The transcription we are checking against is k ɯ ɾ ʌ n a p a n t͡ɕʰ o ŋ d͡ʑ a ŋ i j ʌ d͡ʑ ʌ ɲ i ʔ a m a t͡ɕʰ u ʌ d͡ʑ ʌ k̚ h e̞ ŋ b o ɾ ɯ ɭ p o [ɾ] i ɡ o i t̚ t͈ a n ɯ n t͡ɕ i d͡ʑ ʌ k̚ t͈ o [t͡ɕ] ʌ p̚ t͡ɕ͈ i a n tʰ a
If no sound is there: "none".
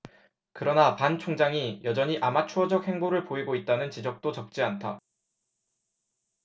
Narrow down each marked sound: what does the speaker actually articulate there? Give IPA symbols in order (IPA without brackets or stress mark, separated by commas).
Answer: none, t͡ɕ